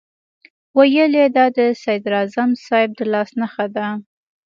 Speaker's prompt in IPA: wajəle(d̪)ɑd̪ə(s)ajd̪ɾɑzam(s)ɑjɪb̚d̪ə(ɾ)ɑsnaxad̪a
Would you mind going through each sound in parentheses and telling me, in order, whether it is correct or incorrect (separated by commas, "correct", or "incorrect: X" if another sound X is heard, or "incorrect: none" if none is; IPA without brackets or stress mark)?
correct, correct, correct, incorrect: l